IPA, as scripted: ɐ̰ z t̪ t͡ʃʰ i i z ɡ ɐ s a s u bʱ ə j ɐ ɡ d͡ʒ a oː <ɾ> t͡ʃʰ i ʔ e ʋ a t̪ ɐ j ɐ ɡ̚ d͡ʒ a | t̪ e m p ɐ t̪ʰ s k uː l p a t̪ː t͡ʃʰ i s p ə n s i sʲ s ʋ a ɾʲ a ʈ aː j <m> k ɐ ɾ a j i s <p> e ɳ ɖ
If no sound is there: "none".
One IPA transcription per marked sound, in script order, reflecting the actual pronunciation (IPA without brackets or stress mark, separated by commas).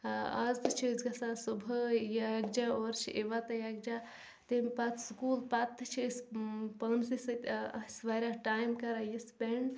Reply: ɾ, m, p